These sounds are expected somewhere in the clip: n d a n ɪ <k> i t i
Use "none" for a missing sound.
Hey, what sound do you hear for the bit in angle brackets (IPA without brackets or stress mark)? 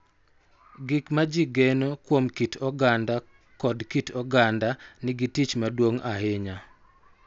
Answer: ɡ